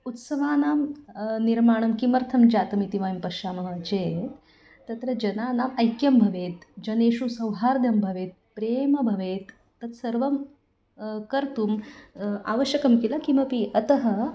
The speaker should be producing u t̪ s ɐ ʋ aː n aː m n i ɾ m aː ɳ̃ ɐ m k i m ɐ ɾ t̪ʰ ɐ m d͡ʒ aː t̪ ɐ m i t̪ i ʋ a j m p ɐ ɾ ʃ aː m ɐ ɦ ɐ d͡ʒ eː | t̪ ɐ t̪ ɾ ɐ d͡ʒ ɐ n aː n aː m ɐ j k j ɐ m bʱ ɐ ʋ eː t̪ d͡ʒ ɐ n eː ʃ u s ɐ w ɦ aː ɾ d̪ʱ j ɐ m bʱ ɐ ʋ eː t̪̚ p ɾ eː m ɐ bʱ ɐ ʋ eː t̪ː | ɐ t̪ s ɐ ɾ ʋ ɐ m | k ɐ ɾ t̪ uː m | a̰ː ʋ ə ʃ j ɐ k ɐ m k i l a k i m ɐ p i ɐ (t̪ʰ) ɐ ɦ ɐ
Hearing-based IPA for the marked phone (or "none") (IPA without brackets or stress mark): t̪